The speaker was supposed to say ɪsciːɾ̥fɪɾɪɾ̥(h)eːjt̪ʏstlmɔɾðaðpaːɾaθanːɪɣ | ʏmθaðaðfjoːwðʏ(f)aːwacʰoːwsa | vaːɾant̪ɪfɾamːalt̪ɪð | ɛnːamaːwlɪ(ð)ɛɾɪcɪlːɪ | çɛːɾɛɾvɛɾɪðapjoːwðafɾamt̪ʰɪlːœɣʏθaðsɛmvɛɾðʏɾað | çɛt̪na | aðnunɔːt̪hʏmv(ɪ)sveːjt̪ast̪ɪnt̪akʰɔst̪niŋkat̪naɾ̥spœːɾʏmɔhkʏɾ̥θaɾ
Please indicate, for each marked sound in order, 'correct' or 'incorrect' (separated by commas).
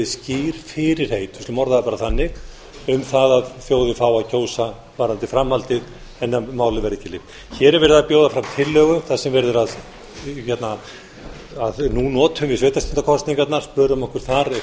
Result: correct, correct, incorrect, correct